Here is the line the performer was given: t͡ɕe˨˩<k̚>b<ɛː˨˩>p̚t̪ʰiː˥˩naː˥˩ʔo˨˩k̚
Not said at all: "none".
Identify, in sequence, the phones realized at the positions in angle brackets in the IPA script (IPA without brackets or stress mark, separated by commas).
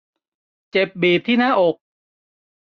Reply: p̚, iː˨˩